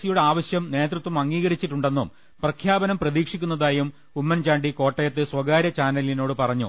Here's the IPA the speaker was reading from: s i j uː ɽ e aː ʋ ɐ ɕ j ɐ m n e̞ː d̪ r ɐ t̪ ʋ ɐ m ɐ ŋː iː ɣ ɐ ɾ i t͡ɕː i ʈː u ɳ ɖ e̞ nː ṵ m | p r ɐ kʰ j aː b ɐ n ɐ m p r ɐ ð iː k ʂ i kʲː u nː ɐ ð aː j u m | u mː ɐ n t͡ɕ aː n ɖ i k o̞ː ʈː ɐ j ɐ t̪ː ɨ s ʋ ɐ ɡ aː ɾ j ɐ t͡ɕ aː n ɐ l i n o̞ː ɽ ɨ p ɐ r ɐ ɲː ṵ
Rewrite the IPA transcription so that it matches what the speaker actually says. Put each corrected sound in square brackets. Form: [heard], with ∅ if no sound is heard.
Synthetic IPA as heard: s i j [u] ɽ e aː ʋ ɐ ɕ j ɐ m n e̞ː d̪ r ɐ t̪ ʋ ɐ m ɐ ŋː iː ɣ ɐ ɾ i t͡ɕː i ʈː u ɳ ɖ e̞ nː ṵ m | p r ɐ kʰ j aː b ɐ n ɐ m p r ɐ ð iː k ʂ i kʲː u nː ɐ ð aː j u m | u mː ɐ n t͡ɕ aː [ɳ] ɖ i k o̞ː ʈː ɐ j ɐ t̪ː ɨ s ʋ ɐ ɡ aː ɾ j ɐ t͡ɕ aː n ɐ l i n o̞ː ɽ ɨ p ɐ r ɐ ɲː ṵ